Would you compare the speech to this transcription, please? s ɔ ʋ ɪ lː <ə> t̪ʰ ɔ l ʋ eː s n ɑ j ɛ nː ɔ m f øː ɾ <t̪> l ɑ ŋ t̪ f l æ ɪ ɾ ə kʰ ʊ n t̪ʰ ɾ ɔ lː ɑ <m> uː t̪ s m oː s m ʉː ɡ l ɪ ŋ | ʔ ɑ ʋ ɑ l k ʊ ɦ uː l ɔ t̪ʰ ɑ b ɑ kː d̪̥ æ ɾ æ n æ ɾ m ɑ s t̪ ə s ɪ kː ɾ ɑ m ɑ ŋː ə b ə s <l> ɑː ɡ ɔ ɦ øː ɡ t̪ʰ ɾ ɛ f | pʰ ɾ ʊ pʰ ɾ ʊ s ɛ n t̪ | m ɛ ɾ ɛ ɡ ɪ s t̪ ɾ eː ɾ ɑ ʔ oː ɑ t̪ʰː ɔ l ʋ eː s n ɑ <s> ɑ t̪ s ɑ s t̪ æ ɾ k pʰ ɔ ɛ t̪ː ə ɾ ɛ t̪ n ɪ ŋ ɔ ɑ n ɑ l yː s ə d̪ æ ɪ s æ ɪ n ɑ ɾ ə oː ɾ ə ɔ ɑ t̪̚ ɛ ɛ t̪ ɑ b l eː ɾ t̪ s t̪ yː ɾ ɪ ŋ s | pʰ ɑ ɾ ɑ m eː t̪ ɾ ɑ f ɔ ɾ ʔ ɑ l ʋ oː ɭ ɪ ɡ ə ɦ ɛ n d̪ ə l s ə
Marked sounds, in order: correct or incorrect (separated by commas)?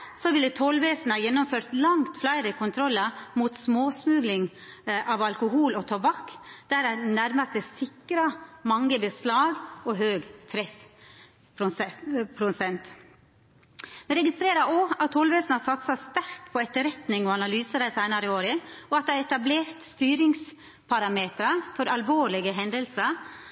correct, correct, correct, correct, correct